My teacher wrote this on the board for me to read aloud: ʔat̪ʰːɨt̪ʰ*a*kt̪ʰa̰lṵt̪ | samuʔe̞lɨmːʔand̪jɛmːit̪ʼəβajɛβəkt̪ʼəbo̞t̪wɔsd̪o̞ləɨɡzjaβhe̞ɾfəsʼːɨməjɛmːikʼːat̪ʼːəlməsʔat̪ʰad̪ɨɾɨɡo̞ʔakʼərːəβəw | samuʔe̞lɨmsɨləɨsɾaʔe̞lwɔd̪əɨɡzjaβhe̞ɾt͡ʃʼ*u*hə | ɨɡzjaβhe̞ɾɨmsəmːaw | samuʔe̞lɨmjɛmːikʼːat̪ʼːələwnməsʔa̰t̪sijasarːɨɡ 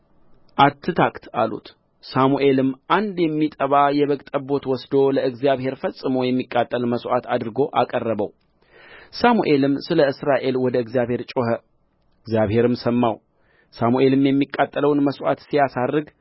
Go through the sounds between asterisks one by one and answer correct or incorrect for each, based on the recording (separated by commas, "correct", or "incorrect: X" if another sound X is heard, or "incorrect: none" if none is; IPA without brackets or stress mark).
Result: correct, incorrect: o